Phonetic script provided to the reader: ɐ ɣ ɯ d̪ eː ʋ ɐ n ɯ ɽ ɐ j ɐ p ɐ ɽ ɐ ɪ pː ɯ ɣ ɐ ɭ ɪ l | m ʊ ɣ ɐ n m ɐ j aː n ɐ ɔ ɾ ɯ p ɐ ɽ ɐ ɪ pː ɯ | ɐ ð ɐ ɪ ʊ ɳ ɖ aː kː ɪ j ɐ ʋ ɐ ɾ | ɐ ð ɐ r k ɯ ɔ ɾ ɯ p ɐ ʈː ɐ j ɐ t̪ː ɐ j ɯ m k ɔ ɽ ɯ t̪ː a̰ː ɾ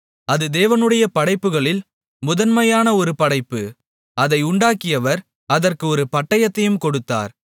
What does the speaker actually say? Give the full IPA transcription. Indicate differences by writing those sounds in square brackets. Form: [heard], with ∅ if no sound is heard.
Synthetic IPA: ɐ [ð] ɯ d̪ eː ʋ ɐ n ɯ ɽ ɐ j ɐ p ɐ ɽ ɐ ɪ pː ɯ ɣ ɐ ɭ ɪ l | m ʊ [ð] ɐ n m ɐ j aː n ɐ ɔ ɾ ɯ p ɐ ɽ ɐ ɪ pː ɯ | ɐ ð ɐ ɪ ʊ ɳ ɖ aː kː ɪ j ɐ ʋ ɐ ɾ | ɐ ð ɐ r k ɯ ɔ ɾ ɯ p ɐ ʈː ɐ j ɐ t̪ː ɐ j ɯ m k ɔ ɽ ɯ t̪ː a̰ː ɾ

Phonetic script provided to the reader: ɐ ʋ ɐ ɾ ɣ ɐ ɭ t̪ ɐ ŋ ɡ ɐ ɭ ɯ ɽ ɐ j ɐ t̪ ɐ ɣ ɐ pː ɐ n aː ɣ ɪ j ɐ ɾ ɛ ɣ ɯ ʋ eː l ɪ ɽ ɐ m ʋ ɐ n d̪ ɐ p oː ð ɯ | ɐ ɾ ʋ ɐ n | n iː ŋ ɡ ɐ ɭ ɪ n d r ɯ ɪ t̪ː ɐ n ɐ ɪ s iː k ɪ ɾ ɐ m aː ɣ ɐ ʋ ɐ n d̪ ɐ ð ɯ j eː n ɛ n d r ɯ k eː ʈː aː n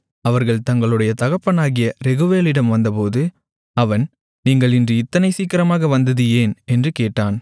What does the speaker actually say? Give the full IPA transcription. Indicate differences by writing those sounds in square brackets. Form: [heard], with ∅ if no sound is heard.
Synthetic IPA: ɐ ʋ ɐ ɾ ɣ ɐ ɭ t̪ ɐ ŋ ɡ ɐ ɭ ɯ ɽ ɐ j ɐ t̪ ɐ ɣ ɐ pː ɐ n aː ɣ ɪ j ɐ ɾ ɛ ɣ ɯ ʋ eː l ɪ ɽ ɐ m ʋ ɐ n d̪ ɐ p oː ð ɯ | ɐ [∅] ʋ ɐ n | n iː ŋ ɡ ɐ ɭ ɪ n d r ɯ ɪ t̪ː ɐ n ɐ ɪ s iː k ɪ ɾ ɐ m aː ɣ ɐ ʋ ɐ n d̪ ɐ ð ɯ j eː n ɛ n d r ɯ k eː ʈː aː n

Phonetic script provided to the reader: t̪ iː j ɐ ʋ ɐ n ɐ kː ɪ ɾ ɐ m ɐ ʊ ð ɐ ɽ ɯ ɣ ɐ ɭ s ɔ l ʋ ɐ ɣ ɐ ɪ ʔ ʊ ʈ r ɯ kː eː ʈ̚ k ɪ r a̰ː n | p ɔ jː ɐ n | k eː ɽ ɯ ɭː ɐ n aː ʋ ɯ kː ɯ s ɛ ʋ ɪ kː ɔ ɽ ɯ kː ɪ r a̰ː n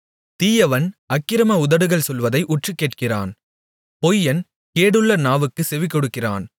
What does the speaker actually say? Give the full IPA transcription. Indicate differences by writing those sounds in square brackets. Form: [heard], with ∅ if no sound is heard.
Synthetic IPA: t̪ iː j ɐ ʋ ɐ n ɐ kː ɪ ɾ ɐ m ɐ ʊ ð ɐ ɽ ɯ ɣ ɐ ɭ s ɔ l ʋ ɐ [ð] ɐ ɪ ʔ ʊ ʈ r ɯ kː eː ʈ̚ k ɪ r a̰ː n | p ɔ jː ɐ n | k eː ɽ ɯ ɭː ɐ n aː ʋ ɯ kː ɯ s ɛ ʋ ɪ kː ɔ ɽ ɯ kː ɪ r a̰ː n

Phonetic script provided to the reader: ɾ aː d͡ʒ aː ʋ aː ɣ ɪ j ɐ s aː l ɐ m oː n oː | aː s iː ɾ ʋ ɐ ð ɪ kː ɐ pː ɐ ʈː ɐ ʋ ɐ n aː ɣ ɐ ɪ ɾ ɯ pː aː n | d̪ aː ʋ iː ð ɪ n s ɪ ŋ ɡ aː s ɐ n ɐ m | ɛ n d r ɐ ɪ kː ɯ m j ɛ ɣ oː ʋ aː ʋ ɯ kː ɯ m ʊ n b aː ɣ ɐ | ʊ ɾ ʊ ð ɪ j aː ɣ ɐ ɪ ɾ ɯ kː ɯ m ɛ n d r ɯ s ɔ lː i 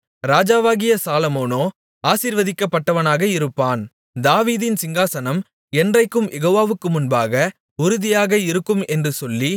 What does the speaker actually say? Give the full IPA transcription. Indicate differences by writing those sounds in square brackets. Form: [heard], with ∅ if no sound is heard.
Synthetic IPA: ɾ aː d͡ʒ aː ʋ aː ɣ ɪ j ɐ s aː l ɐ m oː n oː | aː s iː ɾ ʋ ɐ ð ɪ kː ɐ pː ɐ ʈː ɐ ʋ ɐ n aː ɣ ɐ ɪ ɾ ɯ pː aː n | d̪ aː ʋ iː ð ɪ n s ɪ ŋ ɡ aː s ɐ n ɐ m | ɛ n d r ɐ ɪ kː ɯ m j ɛ ɣ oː ʋ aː ʋ ɯ kː ɯ m ʊ n b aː ɣ ɐ | ʊ ɾ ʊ ð ɪ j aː ɣ ɐ ɪ ɾ ɯ kː ɯ m ɛ n d r ɯ s ɔ lː i

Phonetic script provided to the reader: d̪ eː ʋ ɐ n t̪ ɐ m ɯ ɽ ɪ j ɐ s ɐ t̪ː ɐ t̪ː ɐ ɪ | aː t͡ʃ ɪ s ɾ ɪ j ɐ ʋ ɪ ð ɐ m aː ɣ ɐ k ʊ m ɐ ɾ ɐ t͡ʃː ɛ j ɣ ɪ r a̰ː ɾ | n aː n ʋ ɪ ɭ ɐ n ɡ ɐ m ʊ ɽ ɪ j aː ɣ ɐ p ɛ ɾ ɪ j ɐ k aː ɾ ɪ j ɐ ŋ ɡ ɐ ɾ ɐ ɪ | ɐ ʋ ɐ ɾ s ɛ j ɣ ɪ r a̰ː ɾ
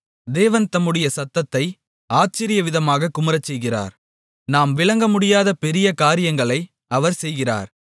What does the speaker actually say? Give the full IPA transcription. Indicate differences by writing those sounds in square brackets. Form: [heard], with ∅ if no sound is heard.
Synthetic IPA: d̪ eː ʋ ɐ n t̪ ɐ m ɯ ɽ ɪ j ɐ s ɐ t̪ː ɐ t̪ː ɐ ɪ | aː t͡ʃ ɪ [∅] ɾ ɪ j ɐ ʋ ɪ ð ɐ m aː ɣ ɐ k ʊ m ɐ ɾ ɐ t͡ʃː ɛ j ɣ ɪ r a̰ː ɾ | n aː [m] ʋ ɪ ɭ ɐ [ŋ] ɡ ɐ m ʊ ɽ ɪ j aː [ð] ɐ p ɛ ɾ ɪ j ɐ k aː ɾ ɪ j ɐ ŋ ɡ ɐ [ɭ] ɐ ɪ | ɐ ʋ ɐ ɾ s ɛ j ɣ ɪ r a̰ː ɾ

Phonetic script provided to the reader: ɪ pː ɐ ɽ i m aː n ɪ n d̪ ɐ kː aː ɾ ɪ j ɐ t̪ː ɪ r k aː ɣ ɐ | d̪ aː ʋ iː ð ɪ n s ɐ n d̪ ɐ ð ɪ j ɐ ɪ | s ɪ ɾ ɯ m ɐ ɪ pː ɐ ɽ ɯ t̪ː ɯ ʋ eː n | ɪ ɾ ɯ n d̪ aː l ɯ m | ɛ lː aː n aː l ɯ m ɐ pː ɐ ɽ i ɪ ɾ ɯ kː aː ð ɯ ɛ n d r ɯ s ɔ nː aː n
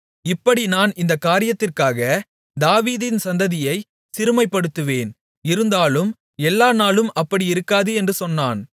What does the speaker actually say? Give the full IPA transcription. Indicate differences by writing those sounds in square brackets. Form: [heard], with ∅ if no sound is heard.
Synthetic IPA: ɪ pː ɐ ɽ i [n] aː n ɪ n d̪ ɐ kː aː ɾ ɪ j ɐ t̪ː ɪ r k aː ɣ ɐ | d̪ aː ʋ iː ð ɪ n s ɐ n d̪ ɐ ð ɪ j ɐ ɪ | s ɪ ɾ ɯ m ɐ ɪ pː ɐ ɽ ɯ t̪ː ɯ ʋ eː n | ɪ ɾ ɯ n d̪ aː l ɯ m | ɛ lː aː n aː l ɯ m ɐ pː ɐ ɽ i ɪ ɾ ɯ kː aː ð ɯ ɛ n d r ɯ s ɔ nː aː n

